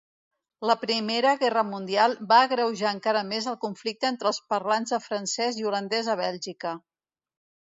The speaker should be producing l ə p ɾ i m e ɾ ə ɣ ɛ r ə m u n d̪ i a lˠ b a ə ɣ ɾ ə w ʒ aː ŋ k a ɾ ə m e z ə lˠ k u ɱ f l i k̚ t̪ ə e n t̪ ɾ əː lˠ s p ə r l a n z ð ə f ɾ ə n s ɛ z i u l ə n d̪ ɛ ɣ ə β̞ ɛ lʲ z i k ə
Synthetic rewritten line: l ə p ɾ i m e ɾ ə ɣ ɛ r ə m u n d̪ i a lˠ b a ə ɣ ɾ ə w ʒ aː ŋ k a ɾ ə m e z ə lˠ k u ɱ f l i k̚ t̪ ə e n t̪ ɾ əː lˠ s p ə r l a n z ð ə f ɾ ə n s ɛ z i u l ə n d̪ ɛ z ə β̞ ɛ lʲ ʒ i k ə